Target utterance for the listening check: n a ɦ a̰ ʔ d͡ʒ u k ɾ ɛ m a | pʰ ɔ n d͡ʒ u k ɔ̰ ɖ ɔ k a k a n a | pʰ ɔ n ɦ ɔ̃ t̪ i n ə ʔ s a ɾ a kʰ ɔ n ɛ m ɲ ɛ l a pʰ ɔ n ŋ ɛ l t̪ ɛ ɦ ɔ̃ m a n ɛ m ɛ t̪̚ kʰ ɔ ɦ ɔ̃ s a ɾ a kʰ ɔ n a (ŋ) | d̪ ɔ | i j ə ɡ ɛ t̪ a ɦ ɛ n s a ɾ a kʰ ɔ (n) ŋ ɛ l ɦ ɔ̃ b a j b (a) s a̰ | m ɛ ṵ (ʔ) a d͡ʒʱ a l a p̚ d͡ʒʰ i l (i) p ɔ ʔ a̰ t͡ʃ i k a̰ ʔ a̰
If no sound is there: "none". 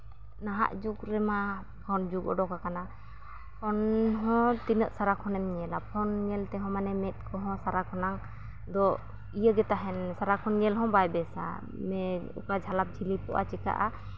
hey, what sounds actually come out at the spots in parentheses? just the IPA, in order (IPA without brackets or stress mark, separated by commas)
ŋ, n, ɛ, k, i